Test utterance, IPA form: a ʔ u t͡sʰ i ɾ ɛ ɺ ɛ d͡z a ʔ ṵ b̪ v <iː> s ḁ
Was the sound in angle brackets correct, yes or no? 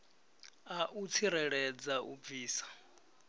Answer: yes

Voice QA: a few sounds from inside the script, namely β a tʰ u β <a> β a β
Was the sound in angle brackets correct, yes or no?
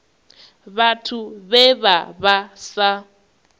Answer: no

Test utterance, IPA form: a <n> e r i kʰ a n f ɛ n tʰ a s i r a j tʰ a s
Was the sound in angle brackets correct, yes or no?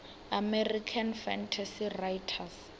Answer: no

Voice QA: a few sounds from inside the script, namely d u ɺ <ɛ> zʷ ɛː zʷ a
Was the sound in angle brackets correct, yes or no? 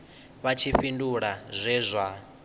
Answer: no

